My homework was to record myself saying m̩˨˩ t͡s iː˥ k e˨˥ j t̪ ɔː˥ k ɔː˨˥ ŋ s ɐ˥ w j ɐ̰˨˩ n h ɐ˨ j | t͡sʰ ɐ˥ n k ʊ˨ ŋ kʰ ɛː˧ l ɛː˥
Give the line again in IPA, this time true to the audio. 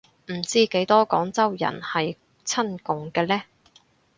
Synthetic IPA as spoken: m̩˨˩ t͡s iː˥ k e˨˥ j t̪ ɔː˥ k ɔː˨˥ ŋ t͡s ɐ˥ w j ɐ̰˨˩ n h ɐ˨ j | t͡sʰ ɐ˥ n k ʊ˨ ŋ k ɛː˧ l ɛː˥

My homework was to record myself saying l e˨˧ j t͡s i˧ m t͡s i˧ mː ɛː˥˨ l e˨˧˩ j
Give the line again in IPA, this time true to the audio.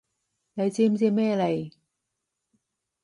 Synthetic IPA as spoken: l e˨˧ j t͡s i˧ m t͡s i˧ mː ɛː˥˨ l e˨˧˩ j

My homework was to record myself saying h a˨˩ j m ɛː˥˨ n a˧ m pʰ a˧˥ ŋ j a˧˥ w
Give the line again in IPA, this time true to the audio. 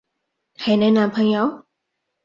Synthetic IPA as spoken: h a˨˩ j n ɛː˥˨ n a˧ m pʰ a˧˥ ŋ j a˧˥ w

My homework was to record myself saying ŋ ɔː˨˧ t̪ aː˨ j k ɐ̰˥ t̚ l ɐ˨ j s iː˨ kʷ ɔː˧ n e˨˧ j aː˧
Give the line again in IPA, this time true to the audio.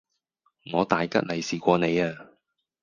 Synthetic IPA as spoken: ŋ ɔː˨˧ t̪ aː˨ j k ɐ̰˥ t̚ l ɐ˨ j s iː˨ kʷ ɔː˧ n e˨˧ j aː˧

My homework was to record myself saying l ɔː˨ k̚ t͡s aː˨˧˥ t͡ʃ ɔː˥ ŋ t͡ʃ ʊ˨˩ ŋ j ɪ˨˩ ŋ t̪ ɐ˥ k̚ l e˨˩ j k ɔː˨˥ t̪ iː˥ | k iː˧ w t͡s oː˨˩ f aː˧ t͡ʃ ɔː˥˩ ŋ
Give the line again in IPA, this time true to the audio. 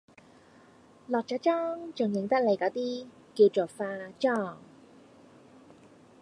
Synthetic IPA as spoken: l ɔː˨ k̚ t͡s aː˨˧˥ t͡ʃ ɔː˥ ŋ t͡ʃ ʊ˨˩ ŋ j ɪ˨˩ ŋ t̪ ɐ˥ k̚ l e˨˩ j k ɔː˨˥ t̪ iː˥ | k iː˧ w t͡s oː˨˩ f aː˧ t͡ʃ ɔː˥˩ ŋ

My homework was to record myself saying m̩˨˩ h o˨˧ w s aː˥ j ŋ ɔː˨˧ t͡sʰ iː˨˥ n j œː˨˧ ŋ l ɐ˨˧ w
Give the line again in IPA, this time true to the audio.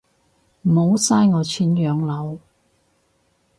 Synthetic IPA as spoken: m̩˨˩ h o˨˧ w s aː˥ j ŋ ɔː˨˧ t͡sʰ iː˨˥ n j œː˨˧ ŋ l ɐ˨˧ w

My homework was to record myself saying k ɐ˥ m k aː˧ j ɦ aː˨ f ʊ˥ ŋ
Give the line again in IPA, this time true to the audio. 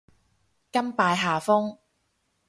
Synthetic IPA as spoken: k ɐ˥ m p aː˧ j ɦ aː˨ f ʊ˥ ŋ

